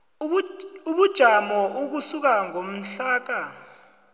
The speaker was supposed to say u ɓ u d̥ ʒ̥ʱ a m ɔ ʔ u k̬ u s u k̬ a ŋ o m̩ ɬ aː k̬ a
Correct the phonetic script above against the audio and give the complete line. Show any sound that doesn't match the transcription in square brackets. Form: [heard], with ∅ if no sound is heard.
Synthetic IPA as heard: u ɓ u d̥ ʒ̥ʱ a m ɔ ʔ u k̬ u s u k̬ a ŋ o m̩ ɬ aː k̬ a